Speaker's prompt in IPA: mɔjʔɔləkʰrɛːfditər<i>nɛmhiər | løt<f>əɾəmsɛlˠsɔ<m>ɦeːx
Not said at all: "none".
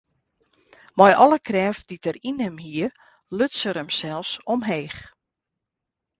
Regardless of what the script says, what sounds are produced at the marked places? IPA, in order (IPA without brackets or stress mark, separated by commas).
i, s, m